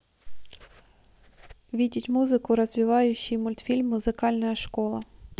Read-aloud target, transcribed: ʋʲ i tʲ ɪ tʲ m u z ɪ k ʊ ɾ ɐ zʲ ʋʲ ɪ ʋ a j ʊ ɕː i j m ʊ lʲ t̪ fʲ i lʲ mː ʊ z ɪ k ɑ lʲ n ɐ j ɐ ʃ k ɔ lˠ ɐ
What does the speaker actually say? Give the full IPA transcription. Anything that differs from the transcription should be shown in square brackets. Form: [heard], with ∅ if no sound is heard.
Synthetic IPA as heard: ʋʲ i [dʲ] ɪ tʲ m u z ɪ k ʊ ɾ ɐ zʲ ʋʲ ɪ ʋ [ɑ] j ʊ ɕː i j m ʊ lʲ t̪ fʲ i lʲ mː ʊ z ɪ k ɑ lʲ n ɐ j ɐ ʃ k ɔ lˠ ɐ